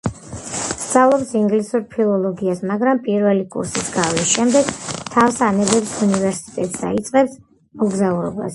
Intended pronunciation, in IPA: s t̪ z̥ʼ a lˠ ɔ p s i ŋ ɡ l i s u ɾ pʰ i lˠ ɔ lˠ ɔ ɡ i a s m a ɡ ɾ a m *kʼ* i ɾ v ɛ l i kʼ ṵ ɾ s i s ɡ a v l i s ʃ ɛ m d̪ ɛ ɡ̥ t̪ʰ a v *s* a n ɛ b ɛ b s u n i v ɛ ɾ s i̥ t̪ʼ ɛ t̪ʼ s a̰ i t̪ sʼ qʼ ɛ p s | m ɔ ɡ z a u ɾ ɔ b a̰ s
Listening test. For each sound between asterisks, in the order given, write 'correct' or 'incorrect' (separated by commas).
incorrect, correct